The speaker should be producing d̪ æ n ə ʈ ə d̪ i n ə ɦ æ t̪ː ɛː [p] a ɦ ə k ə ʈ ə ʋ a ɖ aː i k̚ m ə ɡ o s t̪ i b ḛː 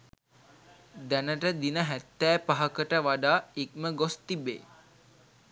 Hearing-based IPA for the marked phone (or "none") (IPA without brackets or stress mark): p